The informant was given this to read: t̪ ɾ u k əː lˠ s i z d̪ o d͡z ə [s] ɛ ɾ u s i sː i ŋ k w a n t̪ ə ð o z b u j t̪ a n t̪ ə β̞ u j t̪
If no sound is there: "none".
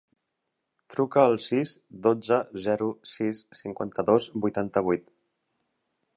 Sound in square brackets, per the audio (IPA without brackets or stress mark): z